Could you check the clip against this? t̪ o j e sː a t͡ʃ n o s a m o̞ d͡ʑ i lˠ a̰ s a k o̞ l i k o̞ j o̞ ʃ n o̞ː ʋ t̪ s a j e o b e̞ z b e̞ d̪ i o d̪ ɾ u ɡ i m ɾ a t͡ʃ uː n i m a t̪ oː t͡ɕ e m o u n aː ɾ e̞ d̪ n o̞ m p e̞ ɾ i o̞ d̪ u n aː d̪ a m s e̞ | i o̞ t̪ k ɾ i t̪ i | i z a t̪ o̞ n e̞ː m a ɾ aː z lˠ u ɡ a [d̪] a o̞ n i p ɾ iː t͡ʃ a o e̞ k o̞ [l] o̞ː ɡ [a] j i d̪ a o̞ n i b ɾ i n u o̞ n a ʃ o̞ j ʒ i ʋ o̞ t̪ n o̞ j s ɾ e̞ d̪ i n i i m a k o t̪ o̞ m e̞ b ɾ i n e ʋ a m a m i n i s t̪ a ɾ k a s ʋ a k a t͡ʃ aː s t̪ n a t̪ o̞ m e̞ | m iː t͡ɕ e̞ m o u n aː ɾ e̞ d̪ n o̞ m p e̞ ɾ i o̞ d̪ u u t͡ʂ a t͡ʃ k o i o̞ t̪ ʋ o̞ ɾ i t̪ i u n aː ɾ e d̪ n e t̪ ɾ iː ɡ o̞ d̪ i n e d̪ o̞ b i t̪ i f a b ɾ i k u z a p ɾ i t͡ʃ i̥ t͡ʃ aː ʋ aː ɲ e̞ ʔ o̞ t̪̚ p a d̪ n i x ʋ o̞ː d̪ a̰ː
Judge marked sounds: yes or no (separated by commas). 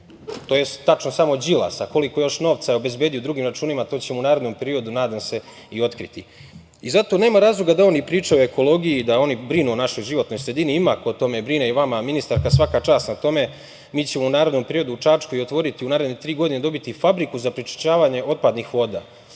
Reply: yes, yes, no